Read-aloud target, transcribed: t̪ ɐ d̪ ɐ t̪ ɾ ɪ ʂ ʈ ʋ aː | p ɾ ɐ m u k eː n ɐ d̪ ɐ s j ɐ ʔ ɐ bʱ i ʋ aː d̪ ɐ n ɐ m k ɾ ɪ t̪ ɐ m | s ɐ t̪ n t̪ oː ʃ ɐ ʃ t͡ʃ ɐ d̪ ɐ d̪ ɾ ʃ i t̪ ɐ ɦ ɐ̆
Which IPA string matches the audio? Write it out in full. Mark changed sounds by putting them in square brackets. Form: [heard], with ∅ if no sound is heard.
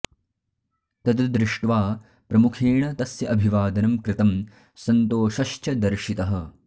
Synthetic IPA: t̪ ɐ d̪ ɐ [d̪] ɾ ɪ ʂ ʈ ʋ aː | p ɾ ɐ m u [kʰ] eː [ɳ] ɐ [t̪] ɐ s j ɐ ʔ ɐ bʱ i ʋ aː d̪ ɐ n ɐ m k ɾ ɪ t̪ ɐ m | s ɐ [∅] n t̪ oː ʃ ɐ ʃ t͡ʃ ɐ d̪ ɐ [∅] ɾ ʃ i t̪ ɐ ɦ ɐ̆